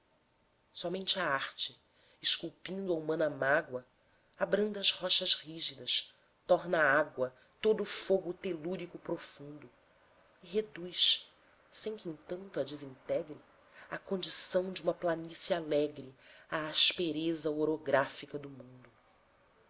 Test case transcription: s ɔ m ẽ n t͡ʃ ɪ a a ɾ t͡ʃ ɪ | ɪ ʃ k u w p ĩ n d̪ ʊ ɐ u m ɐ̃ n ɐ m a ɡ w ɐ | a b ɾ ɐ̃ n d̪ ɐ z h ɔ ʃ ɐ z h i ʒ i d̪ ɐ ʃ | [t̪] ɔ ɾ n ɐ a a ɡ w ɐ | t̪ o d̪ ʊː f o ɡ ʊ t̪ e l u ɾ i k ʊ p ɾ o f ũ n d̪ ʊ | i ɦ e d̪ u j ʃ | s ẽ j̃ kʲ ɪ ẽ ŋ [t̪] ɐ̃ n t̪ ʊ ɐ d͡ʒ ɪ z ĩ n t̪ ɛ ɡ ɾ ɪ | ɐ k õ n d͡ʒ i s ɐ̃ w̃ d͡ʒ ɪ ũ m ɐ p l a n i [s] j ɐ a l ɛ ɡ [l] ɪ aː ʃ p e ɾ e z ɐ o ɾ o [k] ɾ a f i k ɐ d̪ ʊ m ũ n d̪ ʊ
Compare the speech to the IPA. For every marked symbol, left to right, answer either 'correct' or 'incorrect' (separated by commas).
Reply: correct, correct, correct, incorrect, incorrect